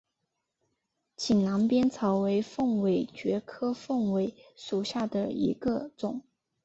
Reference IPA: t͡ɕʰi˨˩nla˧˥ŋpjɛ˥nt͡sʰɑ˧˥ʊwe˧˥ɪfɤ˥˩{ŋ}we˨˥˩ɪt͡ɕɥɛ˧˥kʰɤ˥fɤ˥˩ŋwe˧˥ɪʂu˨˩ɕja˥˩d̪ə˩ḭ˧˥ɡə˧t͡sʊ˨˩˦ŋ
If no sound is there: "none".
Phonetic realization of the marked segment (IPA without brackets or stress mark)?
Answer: ŋ